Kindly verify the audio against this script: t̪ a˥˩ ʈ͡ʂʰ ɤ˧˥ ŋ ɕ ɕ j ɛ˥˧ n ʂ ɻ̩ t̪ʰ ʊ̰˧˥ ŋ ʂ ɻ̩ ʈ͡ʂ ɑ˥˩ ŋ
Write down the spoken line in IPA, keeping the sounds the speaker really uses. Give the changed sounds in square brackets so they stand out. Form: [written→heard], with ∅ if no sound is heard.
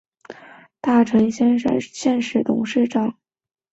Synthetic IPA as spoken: t̪ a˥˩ ʈ͡ʂʰ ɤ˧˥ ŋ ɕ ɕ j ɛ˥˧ n ʂ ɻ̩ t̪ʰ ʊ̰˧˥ ŋ ʂ ɻ̩ ʈ͡ʂ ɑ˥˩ ŋ